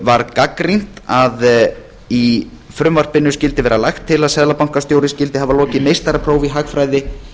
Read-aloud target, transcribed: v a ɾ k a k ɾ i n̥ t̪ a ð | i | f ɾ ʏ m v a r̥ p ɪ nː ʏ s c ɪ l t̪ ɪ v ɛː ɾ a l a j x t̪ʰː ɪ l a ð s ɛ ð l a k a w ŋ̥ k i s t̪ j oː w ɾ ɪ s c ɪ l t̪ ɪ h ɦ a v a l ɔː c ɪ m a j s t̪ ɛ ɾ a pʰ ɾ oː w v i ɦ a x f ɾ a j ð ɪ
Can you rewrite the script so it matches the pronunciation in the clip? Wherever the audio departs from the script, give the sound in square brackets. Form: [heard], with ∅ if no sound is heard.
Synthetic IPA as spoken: v a ɾ k a k ɾ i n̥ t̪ a ð | i | f ɾ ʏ m v a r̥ p ɪ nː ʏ s c ɪ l t̪ ɪ v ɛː ɾ a l a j x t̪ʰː ɪ l a ð s ɛ ð l a [p] a w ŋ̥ k [a] s t̪ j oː w ɾ ɪ s c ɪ l t̪ ɪ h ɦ a v a l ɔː c ɪ m [e] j s t̪ [a] ɾ a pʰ ɾ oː w v i ɦ a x f ɾ a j ð ɪ